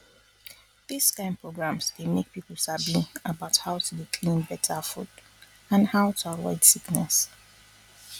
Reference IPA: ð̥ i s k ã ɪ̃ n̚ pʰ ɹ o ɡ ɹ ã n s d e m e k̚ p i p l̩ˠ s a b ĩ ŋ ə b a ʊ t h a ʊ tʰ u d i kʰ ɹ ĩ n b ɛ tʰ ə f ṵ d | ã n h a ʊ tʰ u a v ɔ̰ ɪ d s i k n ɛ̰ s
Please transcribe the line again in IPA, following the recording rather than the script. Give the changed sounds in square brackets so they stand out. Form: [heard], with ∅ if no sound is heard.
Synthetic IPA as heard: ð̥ i s k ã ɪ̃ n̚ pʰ ɹ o ɡ ɹ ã [m] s d e m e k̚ p i p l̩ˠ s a b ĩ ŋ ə b a ʊ t h a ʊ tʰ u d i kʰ [l] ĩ n b ɛ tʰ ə f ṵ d | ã n h a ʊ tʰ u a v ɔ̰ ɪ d s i k n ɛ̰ s